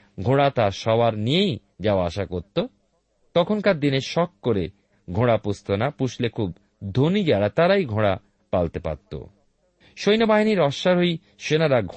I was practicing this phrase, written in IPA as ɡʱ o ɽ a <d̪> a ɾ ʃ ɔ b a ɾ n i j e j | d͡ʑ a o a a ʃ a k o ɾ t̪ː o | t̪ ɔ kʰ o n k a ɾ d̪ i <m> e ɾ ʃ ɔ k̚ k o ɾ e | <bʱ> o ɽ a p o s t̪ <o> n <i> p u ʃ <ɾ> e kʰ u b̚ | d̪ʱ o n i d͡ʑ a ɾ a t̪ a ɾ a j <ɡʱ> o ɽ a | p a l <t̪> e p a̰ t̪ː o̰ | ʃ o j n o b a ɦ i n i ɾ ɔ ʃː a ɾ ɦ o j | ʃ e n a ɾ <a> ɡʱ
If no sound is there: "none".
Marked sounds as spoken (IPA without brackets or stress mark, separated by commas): t̪, n, ɡʱ, o, a, l, ɡʱ, t̪, a